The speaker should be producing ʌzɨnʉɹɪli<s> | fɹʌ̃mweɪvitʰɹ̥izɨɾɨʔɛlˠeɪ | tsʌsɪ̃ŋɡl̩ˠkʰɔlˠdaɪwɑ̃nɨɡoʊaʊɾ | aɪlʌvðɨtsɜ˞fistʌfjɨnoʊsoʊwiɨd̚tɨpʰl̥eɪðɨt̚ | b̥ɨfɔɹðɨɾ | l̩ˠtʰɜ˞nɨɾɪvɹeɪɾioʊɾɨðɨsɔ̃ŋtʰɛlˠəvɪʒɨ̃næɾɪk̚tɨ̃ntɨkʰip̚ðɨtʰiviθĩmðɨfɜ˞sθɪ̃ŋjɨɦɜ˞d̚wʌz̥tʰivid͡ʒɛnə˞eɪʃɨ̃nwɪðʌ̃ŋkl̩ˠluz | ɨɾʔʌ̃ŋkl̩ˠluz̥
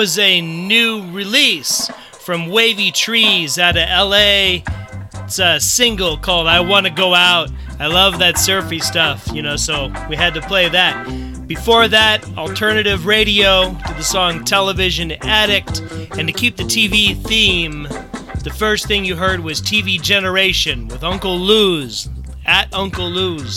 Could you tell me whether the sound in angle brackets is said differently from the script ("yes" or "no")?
no